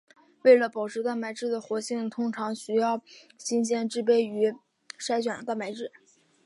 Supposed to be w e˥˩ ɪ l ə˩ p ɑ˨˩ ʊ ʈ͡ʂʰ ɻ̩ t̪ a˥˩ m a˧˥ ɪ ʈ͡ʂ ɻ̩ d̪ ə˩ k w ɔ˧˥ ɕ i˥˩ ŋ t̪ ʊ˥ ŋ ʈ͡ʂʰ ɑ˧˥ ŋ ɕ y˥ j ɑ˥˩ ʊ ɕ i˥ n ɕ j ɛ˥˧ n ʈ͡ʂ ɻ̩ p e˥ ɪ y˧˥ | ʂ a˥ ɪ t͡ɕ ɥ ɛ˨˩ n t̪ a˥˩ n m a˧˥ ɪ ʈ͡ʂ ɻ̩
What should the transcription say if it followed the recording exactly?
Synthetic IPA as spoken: w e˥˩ ɪ l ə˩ p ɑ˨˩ ʊ ʈ͡ʂʰ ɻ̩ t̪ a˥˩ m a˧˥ ɪ ʈ͡ʂ ɻ̩ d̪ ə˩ x w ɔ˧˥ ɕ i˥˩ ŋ t̪ʰ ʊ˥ ŋ ʈ͡ʂʰ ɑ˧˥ ŋ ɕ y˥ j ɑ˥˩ ʊ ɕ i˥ n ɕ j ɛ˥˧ n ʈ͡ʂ ɻ̩ p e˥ ɪ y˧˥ | ʂ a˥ ɪ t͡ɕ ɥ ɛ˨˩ n t̪ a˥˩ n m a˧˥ ɪ ʈ͡ʂ ɻ̩